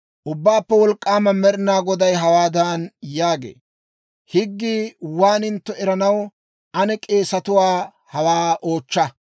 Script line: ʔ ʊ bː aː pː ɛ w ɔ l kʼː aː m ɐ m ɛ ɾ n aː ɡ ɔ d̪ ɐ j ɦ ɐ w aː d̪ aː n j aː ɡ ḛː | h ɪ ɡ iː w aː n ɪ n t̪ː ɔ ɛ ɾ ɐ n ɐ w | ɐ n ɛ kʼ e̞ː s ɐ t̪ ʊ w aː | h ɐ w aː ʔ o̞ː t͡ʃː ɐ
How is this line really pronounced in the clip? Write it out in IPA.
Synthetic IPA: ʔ ʊ bː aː pː ɛ w ɔ l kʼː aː m ɐ m ɛ ɾ n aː ɡ ɔ d̪ ɐ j ɦ ɐ w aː d̪ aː n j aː ɡ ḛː | h ɪ ɡː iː w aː n ɪ n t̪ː ɔ ɛ ɾ ɐ n ɐ w | ɐ n ɛ kʼ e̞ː s ɐ t̪ ʊ w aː | h ɐ w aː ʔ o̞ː t͡ʃː ɐ